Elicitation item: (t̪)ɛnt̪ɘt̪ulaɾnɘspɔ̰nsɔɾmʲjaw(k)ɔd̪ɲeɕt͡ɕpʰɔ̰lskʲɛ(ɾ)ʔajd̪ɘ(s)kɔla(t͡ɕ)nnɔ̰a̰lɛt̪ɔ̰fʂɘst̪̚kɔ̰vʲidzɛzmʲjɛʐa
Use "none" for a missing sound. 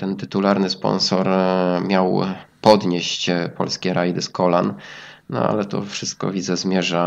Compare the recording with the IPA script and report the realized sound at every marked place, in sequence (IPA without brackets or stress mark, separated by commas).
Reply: t̪, p, ɾ, s, none